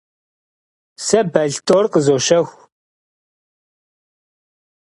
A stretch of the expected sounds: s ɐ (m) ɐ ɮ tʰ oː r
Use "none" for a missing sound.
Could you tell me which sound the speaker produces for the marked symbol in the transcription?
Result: b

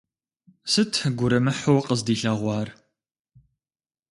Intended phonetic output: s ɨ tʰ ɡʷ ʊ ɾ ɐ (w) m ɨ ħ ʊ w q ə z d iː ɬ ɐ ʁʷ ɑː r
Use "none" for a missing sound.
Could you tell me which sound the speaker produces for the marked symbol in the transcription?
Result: none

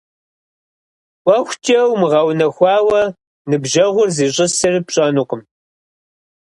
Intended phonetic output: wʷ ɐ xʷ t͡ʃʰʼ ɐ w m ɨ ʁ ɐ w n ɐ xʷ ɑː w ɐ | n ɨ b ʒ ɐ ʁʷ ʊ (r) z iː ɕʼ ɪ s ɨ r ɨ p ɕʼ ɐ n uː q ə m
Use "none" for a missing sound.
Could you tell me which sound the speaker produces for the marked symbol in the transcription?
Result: r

